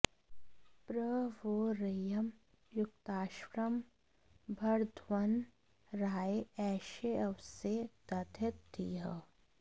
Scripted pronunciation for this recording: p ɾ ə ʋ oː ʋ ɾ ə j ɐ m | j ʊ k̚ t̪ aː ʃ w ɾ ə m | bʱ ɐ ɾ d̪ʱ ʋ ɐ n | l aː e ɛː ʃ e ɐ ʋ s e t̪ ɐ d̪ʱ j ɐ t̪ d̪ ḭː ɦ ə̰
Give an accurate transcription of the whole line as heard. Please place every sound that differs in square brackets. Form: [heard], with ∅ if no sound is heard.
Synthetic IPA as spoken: p ɾ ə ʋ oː [∅] ɾ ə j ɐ m | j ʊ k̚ t̪ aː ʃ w ɾ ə m | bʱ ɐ ɾ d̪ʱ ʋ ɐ n | [ɾ] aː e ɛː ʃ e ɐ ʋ s e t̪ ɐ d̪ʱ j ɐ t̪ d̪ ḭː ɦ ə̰